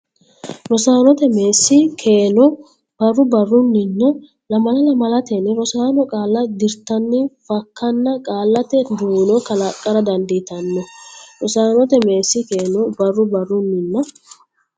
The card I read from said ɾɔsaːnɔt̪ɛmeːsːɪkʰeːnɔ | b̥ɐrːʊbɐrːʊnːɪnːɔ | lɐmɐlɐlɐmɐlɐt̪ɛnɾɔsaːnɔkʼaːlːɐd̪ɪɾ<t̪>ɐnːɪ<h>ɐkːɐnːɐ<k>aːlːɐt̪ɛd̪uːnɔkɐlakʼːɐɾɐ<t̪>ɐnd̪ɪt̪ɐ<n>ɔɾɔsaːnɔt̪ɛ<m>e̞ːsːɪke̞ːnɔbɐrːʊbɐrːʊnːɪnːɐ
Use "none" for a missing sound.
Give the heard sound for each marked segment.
t̪, f, kʼ, d̪, nː, m

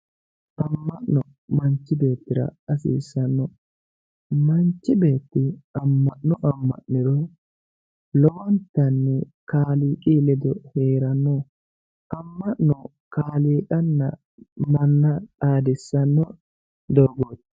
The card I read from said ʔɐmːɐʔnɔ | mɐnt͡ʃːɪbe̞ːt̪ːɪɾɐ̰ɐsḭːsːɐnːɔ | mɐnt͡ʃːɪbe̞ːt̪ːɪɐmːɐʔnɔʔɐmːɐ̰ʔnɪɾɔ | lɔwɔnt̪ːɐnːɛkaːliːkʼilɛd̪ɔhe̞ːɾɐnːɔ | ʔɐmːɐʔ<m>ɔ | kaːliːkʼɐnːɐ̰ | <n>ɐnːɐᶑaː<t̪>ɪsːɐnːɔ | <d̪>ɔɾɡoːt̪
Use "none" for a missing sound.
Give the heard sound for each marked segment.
n, m, d̪, d̪

